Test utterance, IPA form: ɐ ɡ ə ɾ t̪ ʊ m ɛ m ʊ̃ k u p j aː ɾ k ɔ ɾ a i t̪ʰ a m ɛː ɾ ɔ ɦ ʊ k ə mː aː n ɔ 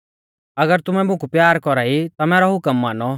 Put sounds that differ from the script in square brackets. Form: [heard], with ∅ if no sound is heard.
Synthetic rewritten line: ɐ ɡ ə ɾ t̪ ʊ m ɛ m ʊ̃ k u p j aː ɾ k ɔ ɾ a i [t̪] a m ɛː ɾ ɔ ɦ ʊ k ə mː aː n ɔ